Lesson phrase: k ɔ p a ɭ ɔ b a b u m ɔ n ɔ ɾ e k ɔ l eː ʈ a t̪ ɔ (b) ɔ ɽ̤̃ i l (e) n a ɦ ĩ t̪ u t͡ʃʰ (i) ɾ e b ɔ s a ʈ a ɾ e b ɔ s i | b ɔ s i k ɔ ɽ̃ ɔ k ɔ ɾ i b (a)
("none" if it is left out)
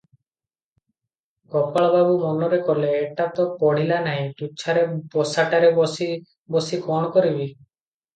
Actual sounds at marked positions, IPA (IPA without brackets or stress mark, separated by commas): p, a, a, i